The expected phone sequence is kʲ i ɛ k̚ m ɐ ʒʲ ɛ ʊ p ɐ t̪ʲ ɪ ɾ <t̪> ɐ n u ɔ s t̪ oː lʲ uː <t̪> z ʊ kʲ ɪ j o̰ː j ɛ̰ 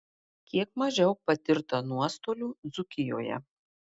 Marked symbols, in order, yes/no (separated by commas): yes, no